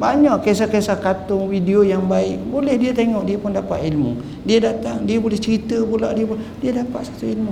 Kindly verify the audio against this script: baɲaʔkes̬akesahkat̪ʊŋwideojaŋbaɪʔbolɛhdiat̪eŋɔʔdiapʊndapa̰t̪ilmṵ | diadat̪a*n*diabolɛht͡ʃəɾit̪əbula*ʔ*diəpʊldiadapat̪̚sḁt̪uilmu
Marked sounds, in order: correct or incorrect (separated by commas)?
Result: incorrect, correct